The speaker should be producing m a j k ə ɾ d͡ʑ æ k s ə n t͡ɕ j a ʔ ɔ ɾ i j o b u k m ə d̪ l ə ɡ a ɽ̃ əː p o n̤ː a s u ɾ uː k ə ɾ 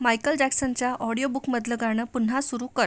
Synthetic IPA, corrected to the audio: m a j k ə l d͡ʑ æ k s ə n t͡ɕ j a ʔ ɔ ɽ i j o b u k m ə d̪ l ə ɡ a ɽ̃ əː p u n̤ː a s u ɾ uː k ə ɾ